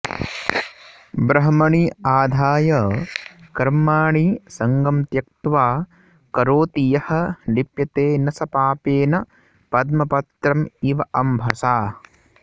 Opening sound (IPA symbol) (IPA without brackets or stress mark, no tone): b